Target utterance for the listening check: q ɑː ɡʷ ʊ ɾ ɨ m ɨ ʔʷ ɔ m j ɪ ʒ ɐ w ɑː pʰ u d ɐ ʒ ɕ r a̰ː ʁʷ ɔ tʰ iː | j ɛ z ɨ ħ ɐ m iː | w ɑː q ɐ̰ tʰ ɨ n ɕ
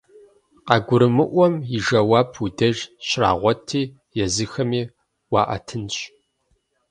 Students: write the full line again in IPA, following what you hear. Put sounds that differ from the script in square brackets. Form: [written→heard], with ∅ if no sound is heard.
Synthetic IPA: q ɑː ɡʷ ʊ ɾ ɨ m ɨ ʔʷ ɔ m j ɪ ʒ ɐ w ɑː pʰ u d ɐ ʒ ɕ r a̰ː ʁʷ ɔ tʰ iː | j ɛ z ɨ [ħ→x] ɐ m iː | w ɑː [q→ʔ] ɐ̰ tʰ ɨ n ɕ